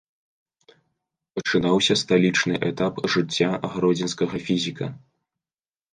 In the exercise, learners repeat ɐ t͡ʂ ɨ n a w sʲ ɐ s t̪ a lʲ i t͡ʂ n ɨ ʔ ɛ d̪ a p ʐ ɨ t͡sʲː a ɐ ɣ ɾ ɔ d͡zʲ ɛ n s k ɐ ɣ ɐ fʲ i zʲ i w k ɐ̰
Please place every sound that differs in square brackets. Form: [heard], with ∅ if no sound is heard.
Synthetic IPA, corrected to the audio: ɐ t͡ʂ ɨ n a w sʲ ɐ s t̪ a lʲ i t͡ʂ n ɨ ʔ ɛ [t̪] a p ʐ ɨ t͡sʲː a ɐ ɣ ɾ ɔ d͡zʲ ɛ n s k ɐ ɣ ɐ fʲ i zʲ i [∅] k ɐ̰